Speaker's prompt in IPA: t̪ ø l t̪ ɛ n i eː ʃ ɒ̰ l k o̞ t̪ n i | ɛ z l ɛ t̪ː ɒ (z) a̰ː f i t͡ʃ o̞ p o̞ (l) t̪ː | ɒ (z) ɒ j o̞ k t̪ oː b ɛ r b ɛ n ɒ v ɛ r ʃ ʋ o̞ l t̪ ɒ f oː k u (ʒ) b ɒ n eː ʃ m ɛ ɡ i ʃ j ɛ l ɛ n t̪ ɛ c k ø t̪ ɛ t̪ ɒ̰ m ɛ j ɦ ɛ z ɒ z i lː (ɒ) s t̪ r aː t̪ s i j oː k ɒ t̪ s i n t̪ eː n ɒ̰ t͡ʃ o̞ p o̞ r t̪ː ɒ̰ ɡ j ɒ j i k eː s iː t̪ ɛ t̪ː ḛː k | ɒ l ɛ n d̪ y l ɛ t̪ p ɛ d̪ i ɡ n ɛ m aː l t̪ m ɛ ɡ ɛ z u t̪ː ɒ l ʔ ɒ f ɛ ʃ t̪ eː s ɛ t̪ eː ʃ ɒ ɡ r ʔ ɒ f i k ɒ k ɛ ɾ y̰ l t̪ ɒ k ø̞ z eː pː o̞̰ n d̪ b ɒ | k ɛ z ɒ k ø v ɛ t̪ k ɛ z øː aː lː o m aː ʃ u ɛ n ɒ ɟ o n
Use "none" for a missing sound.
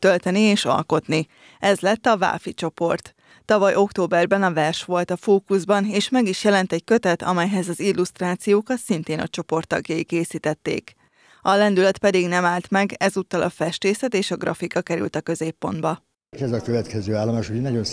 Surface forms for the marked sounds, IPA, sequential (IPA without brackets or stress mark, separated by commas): v, r, v, z, u